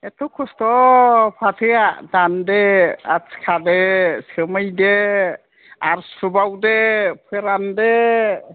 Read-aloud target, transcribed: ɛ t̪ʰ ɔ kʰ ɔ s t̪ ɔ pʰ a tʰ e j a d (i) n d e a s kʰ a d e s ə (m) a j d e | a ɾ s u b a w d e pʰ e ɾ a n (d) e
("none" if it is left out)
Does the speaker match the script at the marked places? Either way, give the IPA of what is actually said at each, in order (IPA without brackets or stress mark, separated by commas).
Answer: a, m, d